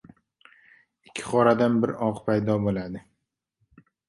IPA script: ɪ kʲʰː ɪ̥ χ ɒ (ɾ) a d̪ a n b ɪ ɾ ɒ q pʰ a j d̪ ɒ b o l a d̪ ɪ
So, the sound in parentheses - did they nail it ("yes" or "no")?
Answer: yes